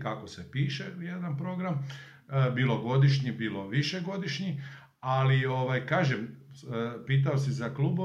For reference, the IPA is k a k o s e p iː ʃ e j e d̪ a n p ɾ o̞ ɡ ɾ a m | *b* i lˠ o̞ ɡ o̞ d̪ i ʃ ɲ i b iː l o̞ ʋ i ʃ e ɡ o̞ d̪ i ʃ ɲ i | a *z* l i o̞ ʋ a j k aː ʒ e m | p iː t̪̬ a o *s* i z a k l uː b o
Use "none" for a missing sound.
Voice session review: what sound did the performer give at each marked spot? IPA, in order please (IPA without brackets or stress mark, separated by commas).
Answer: b, none, s